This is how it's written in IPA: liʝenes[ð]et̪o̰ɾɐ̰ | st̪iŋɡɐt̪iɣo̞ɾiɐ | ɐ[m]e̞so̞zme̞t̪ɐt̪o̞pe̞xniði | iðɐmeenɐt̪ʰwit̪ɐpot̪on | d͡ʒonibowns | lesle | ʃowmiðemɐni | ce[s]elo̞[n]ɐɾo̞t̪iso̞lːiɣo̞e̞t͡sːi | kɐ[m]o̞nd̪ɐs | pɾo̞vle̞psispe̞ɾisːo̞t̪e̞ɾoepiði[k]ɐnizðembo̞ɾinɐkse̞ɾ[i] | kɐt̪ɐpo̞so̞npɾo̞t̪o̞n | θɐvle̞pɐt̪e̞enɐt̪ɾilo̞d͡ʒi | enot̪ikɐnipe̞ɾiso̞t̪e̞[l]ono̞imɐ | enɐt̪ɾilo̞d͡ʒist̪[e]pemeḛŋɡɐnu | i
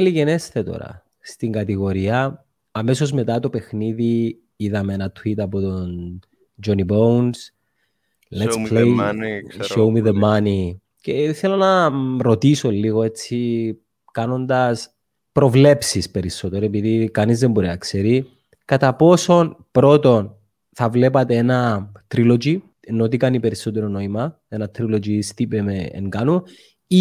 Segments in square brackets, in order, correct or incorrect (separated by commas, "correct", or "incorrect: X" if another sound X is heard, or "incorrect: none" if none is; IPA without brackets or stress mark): incorrect: θ, correct, incorrect: θ, correct, incorrect: n, correct, correct, incorrect: ɾ, incorrect: i